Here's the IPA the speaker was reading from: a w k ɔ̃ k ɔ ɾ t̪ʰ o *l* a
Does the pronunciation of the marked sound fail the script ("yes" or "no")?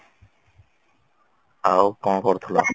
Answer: no